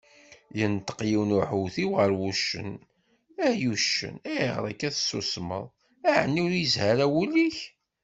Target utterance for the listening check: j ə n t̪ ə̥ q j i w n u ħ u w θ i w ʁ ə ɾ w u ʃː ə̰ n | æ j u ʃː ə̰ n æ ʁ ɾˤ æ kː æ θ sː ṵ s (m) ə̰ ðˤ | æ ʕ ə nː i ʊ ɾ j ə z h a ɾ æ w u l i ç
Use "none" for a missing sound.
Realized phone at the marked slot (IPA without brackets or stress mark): m